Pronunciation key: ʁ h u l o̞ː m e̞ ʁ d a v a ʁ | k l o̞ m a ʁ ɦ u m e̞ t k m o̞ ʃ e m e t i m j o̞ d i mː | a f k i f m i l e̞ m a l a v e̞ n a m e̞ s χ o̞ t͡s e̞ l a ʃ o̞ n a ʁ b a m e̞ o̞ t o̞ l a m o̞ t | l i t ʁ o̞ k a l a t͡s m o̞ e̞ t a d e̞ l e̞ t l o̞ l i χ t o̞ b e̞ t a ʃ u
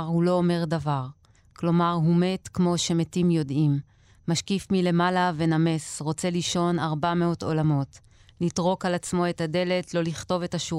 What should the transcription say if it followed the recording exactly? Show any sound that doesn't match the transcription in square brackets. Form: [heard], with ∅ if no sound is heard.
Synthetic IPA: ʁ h u l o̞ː m e̞ ʁ d a v a ʁ | k l o̞ m a ʁ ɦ u m e̞ t k m o̞ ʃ e m e t i m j o̞ d i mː | a [ʃ] k i f m i l e̞ m a l a v e̞ n a m e̞ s [ʁ] o̞ t͡s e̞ l [i] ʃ o̞ n a ʁ b a m e̞ o̞ t o̞ l a m o̞ t | l i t ʁ o̞ k a l a t͡s m o̞ e̞ t a d e̞ l e̞ t l o̞ l i χ t o̞ [v] e̞ t a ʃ u